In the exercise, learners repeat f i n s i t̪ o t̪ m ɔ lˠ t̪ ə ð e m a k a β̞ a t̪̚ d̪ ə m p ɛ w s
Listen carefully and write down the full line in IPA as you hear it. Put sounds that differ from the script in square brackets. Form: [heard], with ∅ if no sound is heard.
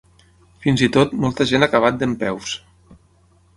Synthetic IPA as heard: f i n [z] i t̪ o t̪ m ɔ lˠ t̪ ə [ʒ] e [n] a k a β̞ a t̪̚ d̪ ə m p ɛ w s